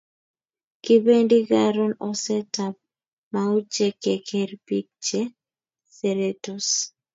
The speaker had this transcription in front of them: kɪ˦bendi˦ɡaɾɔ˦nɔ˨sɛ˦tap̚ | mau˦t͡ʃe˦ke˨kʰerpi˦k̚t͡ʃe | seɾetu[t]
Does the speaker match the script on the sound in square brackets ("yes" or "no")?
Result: no